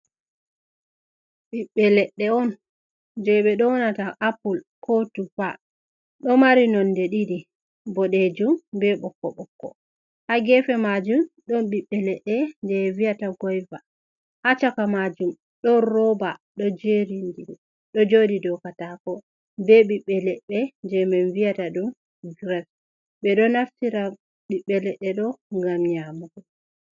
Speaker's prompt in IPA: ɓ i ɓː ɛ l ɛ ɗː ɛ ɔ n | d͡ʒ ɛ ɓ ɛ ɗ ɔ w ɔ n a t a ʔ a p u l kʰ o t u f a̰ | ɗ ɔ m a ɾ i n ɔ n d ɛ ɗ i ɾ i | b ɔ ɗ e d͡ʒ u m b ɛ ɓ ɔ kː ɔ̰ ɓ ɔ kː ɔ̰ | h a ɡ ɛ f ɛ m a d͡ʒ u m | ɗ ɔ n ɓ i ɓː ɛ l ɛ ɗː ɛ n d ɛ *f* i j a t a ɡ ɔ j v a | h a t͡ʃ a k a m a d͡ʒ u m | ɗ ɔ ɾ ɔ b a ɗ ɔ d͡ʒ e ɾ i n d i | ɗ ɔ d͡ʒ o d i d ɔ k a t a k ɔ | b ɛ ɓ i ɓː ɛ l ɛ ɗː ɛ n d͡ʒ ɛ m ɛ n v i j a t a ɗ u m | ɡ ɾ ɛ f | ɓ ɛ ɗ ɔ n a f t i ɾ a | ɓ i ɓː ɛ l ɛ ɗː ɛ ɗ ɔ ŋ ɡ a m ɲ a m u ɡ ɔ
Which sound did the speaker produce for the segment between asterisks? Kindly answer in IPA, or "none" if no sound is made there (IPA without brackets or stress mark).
v